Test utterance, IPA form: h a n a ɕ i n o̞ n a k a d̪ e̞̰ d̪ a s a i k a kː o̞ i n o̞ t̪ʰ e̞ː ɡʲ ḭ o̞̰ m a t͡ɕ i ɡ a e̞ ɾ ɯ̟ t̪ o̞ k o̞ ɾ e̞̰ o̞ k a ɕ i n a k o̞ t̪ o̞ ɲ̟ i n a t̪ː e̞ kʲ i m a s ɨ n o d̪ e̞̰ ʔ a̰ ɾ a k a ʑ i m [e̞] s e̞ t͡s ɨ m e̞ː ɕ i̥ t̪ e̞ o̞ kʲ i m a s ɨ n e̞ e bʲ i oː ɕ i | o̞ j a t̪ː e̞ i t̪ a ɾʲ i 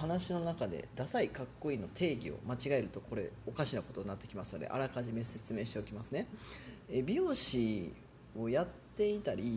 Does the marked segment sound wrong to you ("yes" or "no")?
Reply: no